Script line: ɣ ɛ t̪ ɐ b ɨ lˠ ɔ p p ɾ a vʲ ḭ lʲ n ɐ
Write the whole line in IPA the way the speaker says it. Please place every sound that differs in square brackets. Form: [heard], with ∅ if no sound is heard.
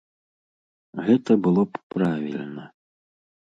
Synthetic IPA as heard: ɣ ɛ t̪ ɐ b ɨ lˠ ɔ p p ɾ a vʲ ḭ lʲ n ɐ